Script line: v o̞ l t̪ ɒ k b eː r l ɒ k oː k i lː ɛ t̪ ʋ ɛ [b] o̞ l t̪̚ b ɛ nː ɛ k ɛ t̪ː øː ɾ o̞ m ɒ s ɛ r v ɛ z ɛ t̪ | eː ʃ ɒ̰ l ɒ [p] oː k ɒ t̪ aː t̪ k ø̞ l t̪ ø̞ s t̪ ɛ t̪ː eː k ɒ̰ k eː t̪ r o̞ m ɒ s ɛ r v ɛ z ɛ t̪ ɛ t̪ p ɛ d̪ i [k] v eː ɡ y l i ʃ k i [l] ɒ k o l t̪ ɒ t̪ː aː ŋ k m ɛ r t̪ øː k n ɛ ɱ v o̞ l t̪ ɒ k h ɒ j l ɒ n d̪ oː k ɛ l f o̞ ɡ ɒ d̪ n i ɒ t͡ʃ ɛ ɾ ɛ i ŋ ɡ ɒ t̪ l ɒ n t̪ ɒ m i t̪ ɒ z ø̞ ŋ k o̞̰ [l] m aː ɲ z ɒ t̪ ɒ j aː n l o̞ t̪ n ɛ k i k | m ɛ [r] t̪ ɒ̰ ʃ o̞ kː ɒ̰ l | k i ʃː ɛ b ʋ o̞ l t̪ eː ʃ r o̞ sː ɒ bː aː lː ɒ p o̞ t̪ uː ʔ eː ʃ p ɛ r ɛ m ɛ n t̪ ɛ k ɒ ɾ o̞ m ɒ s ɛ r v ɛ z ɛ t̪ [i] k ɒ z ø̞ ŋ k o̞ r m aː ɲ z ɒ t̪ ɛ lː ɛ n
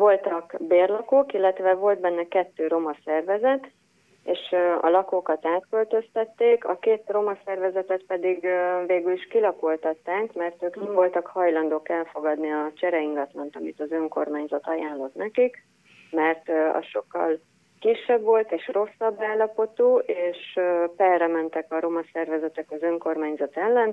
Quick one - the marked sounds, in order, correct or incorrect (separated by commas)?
incorrect, incorrect, incorrect, correct, incorrect, correct, incorrect